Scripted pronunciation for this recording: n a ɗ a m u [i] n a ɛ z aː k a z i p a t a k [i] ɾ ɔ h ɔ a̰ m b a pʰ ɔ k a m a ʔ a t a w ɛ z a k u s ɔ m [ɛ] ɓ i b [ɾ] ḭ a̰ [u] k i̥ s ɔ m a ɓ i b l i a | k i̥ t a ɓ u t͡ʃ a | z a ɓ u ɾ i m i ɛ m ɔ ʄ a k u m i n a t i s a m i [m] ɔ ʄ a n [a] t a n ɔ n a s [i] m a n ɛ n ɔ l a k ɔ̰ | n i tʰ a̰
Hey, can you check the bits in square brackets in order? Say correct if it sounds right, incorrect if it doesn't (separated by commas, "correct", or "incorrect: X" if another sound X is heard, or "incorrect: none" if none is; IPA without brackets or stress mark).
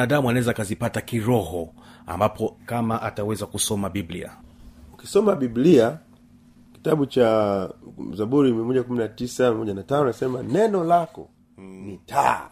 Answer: incorrect: a, correct, incorrect: a, incorrect: l, correct, correct, correct, incorrect: ɛ